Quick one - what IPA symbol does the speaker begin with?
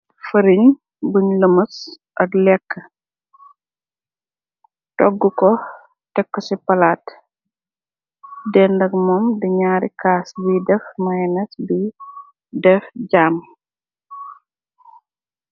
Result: f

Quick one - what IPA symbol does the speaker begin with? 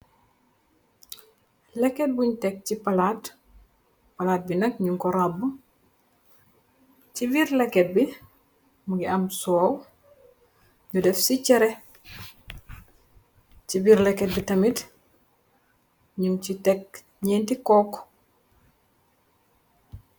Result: l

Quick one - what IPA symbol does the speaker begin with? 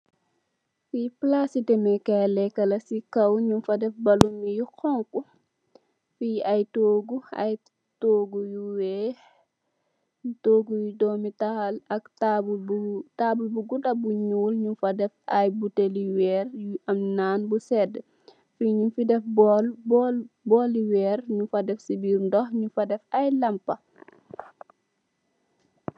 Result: f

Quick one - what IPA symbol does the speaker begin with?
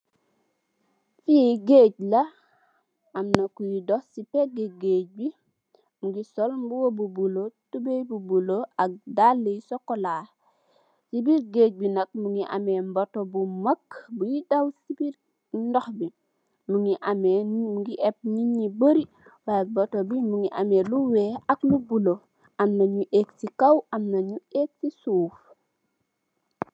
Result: f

